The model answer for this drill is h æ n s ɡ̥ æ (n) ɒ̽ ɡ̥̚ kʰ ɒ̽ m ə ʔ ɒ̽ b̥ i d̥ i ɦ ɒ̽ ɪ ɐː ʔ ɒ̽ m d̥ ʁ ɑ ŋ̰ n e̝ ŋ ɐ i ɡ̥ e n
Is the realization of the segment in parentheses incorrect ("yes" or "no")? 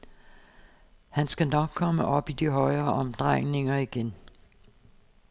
no